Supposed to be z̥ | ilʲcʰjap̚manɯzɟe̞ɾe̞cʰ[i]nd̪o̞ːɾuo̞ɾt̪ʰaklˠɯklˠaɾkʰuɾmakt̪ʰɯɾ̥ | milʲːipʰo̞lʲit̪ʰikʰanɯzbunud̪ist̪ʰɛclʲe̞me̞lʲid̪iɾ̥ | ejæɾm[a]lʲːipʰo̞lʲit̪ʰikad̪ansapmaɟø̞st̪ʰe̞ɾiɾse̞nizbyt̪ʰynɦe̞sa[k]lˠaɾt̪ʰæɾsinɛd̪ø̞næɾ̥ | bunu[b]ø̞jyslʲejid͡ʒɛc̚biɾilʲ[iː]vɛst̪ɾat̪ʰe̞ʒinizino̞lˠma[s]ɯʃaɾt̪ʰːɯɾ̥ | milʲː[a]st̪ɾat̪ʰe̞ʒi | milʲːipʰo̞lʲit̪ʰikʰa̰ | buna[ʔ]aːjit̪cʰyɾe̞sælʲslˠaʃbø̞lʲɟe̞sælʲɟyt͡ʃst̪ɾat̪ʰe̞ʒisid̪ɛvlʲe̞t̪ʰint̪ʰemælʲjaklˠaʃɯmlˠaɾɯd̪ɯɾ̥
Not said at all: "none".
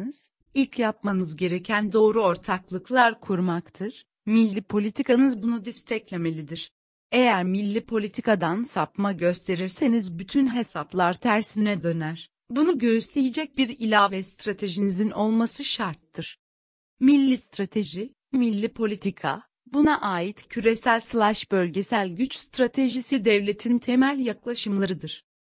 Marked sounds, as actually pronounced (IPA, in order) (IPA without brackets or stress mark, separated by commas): æ, i, p, ɟ, aː, s, i, ʔ